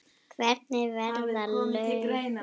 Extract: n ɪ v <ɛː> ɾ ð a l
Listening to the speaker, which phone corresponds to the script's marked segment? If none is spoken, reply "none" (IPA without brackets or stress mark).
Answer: ɛ